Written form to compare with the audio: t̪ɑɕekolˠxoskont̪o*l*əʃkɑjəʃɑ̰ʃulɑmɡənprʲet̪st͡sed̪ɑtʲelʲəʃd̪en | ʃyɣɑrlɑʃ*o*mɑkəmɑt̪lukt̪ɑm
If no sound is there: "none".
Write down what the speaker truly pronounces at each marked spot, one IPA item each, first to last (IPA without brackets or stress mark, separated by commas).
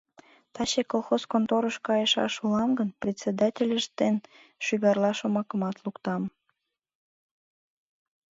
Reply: ɾ, o